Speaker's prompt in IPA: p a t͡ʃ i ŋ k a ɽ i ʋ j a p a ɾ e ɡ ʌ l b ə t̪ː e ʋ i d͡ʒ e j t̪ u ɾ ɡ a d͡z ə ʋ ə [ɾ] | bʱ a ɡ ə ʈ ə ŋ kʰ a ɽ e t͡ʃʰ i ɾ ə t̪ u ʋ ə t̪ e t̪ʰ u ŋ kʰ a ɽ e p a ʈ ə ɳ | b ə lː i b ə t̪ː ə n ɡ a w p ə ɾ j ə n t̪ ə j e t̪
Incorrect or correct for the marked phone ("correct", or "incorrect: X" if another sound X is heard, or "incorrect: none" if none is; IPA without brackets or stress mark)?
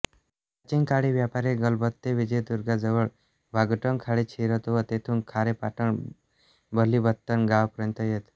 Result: incorrect: ɭ